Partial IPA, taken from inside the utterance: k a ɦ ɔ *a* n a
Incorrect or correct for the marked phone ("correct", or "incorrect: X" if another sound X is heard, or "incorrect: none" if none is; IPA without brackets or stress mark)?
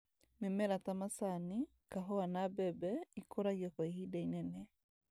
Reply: correct